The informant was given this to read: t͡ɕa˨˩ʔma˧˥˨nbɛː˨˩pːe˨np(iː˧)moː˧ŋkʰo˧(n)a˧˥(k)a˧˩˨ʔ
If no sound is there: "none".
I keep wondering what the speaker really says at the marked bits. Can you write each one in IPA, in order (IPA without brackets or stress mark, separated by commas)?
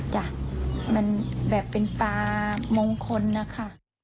aː˧, nː, kʰ